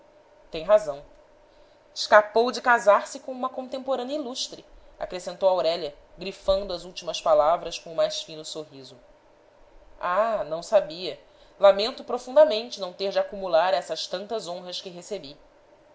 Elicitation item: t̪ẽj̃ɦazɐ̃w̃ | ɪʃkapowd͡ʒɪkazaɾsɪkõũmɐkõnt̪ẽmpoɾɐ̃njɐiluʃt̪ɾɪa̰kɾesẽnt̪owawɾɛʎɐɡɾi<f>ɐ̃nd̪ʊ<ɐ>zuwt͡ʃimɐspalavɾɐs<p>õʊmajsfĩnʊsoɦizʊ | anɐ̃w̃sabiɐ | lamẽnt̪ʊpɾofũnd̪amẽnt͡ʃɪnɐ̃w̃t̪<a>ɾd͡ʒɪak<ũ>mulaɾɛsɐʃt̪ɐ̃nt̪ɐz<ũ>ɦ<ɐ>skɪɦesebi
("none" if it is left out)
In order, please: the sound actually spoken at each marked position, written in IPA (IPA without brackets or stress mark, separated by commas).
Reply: f, ɐ, k, e, u, õ, ɐ